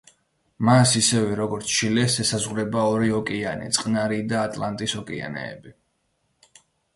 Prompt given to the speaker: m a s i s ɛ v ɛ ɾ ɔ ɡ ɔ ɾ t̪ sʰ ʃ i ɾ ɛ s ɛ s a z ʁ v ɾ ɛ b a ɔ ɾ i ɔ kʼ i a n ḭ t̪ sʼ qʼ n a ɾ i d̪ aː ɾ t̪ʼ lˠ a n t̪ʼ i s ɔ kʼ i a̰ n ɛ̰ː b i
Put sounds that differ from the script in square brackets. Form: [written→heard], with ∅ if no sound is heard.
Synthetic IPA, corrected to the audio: m a s i s ɛ v ɛ ɾ ɔ ɡ ɔ ɾ t̪ sʰ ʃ i [ɾ→l] ɛ s ɛ s a z ʁ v ɾ ɛ b a ɔ ɾ i ɔ kʼ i a n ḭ t̪ sʼ qʼ n a ɾ i d̪ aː [ɾ→∅] t̪ʼ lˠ a n t̪ʼ i s ɔ kʼ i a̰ n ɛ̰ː b i

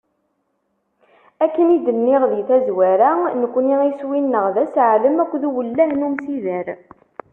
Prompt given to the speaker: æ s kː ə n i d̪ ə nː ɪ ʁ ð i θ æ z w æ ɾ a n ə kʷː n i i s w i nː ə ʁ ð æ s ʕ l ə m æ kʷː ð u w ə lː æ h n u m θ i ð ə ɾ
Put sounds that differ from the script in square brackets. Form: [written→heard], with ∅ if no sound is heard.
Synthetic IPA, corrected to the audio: æ [s→∅] kː ə n i d̪ ə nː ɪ ʁ ð i θ æ z w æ ɾ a n ə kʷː n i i s w i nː ə ʁ ð æ s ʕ l ə m æ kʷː ð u w ə lː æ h n u m [θ→s] i ð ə ɾ

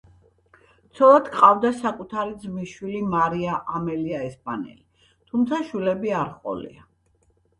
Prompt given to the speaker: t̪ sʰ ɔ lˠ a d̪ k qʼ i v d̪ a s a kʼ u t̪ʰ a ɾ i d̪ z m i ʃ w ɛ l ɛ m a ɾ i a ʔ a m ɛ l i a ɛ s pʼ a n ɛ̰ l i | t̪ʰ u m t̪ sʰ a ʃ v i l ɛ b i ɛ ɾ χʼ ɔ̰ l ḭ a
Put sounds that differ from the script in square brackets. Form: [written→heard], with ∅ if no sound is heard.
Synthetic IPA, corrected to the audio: t̪ sʰ ɔ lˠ a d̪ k qʼ [i→a] v d̪ a s a kʼ u t̪ʰ a ɾ i d̪ z m i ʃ w [ɛ→i] l [ɛ→i] m a ɾ i a ʔ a m ɛ l i a ɛ s pʼ a n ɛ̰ l i | t̪ʰ u m t̪ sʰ a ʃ [v→w] i l ɛ b i [ɛ→a] ɾ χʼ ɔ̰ l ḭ a

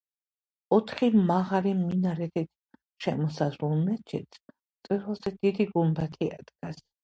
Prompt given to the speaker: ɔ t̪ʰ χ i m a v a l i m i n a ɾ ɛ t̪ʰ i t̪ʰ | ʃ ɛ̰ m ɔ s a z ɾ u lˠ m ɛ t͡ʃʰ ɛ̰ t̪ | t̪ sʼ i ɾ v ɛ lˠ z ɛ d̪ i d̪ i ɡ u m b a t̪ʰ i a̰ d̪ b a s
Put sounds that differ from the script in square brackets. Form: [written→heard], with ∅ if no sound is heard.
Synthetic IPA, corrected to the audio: ɔ t̪ʰ χ i m a [v→ʁ] a l i m i n a ɾ ɛ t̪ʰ i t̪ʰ | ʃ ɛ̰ m ɔ s a z ɾ u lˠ m ɛ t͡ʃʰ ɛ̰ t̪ | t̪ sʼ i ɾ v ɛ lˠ z ɛ d̪ i d̪ i ɡ u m b a t̪ʰ i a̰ d̪ [b→ɡ] a s

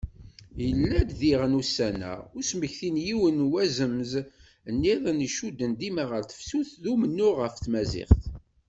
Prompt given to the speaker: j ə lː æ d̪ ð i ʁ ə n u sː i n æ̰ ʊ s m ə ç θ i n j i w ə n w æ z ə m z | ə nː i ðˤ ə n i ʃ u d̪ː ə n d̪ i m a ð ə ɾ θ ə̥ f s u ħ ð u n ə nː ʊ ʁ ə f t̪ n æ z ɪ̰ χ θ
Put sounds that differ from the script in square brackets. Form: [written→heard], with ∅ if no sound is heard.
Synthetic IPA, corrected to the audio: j ə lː æ d̪ ð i ʁ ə n u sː [i→æ] n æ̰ ʊ s m ə ç θ i n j i w ə n w æ z ə m z | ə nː i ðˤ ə n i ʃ u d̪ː ə n d̪ i m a [ð→ʁ] ə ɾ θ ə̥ f s u [ħ→θ] ð u [n→m] ə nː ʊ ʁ ə f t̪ [n→m] æ z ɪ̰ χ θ

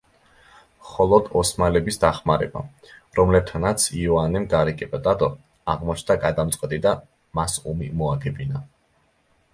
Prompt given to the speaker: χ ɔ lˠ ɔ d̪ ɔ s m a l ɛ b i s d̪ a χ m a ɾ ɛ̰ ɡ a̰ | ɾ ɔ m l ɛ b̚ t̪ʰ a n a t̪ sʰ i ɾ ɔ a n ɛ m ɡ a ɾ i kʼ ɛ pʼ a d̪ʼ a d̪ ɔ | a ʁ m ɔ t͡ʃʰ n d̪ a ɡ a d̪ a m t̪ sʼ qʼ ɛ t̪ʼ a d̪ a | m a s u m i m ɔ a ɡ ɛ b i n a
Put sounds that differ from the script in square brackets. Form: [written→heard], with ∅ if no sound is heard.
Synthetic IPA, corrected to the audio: χ ɔ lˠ ɔ d̪ ɔ s m a l ɛ b i s d̪ a χ m a ɾ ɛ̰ [ɡ→b] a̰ | ɾ ɔ m l ɛ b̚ t̪ʰ a n a t̪ sʰ i [ɾ→∅] ɔ a n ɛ m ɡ a ɾ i kʼ ɛ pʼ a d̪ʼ a d̪ ɔ | a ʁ m ɔ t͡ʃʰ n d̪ a ɡ a d̪ a m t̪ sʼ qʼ ɛ t̪ʼ [a→i] d̪ a | m a s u m i m ɔ a ɡ ɛ b i n a

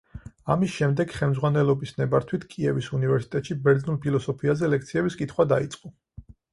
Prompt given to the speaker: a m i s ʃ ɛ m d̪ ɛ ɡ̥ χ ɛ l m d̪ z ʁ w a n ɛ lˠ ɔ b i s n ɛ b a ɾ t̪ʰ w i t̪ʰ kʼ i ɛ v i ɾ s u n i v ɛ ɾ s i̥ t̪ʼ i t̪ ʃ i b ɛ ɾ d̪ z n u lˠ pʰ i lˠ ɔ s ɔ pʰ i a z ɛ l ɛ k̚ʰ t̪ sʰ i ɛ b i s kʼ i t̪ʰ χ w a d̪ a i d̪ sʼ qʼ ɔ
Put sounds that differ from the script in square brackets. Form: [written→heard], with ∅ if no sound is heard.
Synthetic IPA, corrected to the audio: a m i s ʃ ɛ m d̪ ɛ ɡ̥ χ ɛ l m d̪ z ʁ w a n ɛ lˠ ɔ b i s n ɛ b a ɾ t̪ʰ w i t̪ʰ kʼ i ɛ v i [ɾ→∅] s u n i v ɛ ɾ s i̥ t̪ʼ [i→ɛ] t̪ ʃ i b ɛ ɾ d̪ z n u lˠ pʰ i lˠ ɔ s ɔ pʰ i a z ɛ l ɛ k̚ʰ t̪ sʰ i ɛ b i s kʼ i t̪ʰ χ w a d̪ a i [d̪→t̪] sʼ qʼ ɔ

